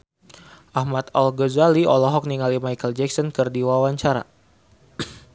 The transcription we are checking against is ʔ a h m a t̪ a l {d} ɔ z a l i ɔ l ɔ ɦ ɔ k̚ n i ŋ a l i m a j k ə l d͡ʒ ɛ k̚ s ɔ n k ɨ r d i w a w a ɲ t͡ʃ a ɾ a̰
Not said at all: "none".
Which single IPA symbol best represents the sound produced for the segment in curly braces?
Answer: ɡ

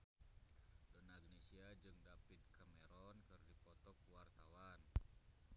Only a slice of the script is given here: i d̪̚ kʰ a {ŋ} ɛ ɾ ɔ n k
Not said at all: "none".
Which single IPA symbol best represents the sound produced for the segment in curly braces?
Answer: m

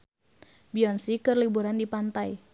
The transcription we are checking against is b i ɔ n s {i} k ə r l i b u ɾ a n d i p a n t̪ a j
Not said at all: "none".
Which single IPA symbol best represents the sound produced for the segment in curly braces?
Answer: i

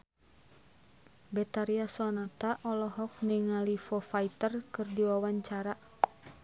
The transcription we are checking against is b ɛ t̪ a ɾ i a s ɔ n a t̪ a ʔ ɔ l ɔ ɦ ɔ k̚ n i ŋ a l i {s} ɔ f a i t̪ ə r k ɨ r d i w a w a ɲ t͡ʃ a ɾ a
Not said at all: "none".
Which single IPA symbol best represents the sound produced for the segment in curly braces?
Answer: f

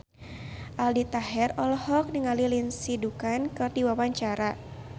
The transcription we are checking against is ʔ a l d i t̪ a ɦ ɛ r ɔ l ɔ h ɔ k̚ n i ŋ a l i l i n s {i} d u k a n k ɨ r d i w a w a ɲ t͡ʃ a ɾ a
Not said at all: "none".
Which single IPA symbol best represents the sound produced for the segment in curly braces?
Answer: i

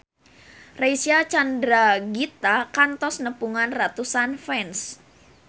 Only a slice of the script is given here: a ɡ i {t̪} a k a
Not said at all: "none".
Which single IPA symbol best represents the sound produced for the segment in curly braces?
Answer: t̪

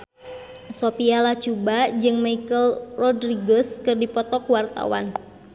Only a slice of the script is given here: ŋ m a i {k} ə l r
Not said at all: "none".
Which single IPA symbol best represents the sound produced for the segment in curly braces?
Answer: k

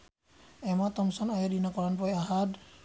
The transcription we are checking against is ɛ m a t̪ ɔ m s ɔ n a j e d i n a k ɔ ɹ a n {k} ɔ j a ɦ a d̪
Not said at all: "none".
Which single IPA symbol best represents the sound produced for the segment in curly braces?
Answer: p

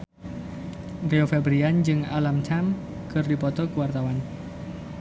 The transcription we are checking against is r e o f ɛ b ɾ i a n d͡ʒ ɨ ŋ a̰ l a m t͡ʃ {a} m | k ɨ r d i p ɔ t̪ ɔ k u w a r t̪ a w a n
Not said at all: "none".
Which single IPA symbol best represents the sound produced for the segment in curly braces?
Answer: a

